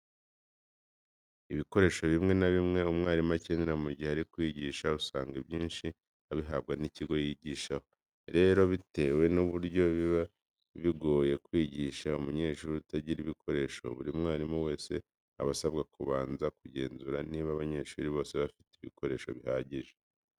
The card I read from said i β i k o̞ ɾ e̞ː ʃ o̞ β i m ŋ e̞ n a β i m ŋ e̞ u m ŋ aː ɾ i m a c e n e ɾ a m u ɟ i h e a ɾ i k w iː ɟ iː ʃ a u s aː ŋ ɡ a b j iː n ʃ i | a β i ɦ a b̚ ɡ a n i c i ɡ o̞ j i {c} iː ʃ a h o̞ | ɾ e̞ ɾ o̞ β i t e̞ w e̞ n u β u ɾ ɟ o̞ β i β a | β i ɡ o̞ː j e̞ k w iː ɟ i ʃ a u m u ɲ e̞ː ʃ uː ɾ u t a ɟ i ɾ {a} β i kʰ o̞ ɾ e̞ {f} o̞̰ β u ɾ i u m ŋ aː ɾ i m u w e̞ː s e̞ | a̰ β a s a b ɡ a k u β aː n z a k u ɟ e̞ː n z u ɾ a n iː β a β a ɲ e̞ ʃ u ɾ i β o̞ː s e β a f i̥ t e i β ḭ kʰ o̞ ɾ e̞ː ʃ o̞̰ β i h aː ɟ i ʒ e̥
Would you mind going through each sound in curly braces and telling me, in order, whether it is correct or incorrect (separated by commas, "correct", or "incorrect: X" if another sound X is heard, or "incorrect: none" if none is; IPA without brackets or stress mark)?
incorrect: ɟ, incorrect: i, incorrect: ʃ